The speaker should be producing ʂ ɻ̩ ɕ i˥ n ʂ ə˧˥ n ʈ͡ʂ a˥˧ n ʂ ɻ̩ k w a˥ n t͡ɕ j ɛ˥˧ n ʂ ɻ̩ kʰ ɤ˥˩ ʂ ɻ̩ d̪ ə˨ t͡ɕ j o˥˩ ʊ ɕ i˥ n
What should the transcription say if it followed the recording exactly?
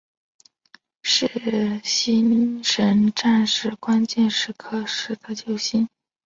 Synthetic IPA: ʂ ɻ̩ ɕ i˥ n ʂ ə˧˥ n ʈ͡ʂ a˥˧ n ʂ ɻ̩ k w a˥ n t͡ɕ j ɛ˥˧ n ʂ ɻ̩ kʰ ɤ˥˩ ʂ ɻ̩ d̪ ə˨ t͡ɕ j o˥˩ ʊ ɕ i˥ n

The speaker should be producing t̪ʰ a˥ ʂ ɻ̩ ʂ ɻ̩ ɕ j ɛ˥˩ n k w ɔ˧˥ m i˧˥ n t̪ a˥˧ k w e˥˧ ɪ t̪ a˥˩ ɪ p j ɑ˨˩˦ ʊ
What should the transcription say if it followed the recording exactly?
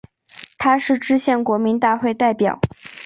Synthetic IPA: t̪ʰ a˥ ʂ ɻ̩ ʈ͡ʂ ɻ̩ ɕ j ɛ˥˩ n k w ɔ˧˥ m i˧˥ n t̪ a˥˧ x w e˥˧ ɪ t̪ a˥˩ ɪ p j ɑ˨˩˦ ʊ

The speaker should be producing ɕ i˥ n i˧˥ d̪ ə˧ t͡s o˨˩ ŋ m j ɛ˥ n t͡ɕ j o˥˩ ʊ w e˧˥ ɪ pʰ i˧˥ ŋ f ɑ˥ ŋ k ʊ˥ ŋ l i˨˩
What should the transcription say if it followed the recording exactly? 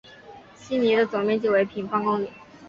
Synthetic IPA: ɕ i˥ n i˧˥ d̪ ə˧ t͡s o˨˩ ŋ m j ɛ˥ n t͡ɕ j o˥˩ ʊ w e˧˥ ɪ pʰ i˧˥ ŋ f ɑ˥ ŋ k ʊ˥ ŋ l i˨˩

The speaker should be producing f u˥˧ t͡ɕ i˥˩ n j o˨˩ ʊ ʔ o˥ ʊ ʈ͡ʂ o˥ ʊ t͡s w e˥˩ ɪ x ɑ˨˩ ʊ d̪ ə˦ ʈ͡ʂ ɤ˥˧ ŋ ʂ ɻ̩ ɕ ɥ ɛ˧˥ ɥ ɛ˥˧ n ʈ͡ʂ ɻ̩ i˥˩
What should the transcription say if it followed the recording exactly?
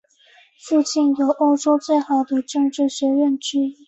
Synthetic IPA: f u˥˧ t͡ɕ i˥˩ n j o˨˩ ʊ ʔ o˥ ʊ ʈ͡ʂ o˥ ʊ t͡s w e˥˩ ɪ x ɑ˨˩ ʊ d̪ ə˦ ʈ͡ʂ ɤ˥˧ ŋ ʈ͡ʂ ɻ̩ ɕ ɥ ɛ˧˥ ɥ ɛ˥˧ n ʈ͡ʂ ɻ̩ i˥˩

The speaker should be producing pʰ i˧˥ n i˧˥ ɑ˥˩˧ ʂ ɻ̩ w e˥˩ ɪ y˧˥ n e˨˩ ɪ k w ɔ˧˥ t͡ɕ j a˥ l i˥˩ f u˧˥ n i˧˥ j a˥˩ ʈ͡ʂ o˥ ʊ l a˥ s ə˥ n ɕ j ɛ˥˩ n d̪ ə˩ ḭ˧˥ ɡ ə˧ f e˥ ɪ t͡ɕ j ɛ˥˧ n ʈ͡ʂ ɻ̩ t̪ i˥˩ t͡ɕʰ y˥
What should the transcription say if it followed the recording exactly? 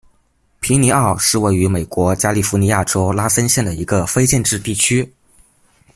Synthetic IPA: pʰ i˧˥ n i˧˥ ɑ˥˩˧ ʂ ɻ̩ w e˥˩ ɪ y˧˥ m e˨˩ ɪ k w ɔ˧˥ t͡ɕ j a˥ l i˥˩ f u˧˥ n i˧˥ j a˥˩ ʈ͡ʂ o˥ ʊ l a˥ s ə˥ n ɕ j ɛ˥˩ n d̪ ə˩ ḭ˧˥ ɡ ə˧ f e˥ ɪ t͡ɕ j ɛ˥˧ n ʈ͡ʂ ɻ̩ t̪ i˥˩ t͡ɕʰ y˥

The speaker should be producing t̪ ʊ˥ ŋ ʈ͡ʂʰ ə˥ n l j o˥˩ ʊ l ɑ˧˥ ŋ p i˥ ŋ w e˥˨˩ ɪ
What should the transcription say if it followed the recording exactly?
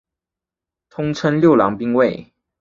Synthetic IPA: t̪ʰ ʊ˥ ŋ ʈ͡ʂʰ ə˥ n l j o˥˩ ʊ l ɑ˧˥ ŋ p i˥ ŋ w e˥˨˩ ɪ

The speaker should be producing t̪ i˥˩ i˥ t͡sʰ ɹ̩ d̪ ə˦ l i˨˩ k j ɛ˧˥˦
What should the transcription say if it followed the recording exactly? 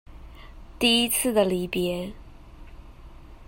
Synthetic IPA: t̪ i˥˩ i˥ t͡sʰ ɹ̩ d̪ ə˩ l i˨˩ p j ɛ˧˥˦

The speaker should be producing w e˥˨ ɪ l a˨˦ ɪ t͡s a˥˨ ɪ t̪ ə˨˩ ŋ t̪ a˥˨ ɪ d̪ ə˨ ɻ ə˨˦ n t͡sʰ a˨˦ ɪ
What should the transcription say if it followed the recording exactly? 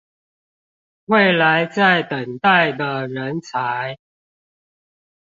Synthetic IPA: w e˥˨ ɪ l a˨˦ ɪ t͡s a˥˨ ɪ t̪ ə˨˩ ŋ t̪ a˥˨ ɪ d̪ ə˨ ɻ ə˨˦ n t͡sʰ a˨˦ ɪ

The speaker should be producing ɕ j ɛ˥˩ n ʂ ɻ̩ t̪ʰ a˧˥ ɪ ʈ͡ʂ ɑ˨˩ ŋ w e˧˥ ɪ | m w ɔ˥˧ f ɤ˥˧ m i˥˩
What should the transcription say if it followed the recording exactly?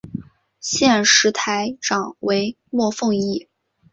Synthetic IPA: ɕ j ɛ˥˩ n ʂ ɻ̩ t̪ʰ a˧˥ ɪ ʈ͡ʂ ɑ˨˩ ŋ w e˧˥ ɪ | m w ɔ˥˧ f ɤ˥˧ ŋ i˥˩

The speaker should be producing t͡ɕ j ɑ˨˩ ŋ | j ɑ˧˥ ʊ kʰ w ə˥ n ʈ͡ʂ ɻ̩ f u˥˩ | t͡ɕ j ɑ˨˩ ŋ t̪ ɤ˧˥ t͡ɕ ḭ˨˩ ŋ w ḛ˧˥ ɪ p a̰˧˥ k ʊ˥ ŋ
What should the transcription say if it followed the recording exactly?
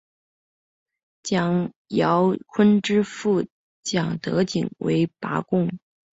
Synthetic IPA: t͡ɕ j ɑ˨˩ ŋ | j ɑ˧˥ ʊ kʰ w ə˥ n ʈ͡ʂ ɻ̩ f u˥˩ | t͡ɕ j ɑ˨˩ ŋ t̪ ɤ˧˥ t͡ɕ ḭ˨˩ ŋ w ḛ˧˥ ɪ p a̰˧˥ k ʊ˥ ŋ

